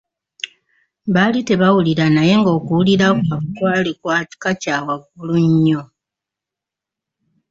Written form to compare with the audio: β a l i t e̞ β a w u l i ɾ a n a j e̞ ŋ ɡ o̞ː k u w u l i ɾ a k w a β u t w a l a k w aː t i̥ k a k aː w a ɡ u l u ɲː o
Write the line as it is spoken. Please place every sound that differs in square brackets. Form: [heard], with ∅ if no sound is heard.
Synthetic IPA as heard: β a l i t e̞ β a w u l i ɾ a n a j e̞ ŋ ɡ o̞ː k u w u l i ɾ a k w a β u [k] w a l [i] k w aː t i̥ k a [c] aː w a ɡ u l u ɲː o